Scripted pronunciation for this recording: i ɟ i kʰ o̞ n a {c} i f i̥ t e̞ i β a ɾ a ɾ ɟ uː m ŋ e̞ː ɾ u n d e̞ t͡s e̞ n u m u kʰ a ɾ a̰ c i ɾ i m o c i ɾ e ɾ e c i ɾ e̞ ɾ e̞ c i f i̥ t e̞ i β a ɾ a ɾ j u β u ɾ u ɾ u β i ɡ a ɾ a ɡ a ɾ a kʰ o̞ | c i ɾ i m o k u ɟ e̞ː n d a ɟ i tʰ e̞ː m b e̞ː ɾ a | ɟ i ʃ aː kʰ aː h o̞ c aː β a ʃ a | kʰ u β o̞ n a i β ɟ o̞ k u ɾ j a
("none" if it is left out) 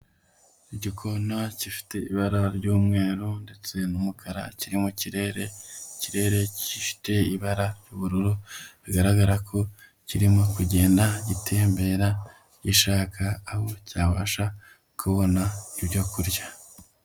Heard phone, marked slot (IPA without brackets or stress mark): c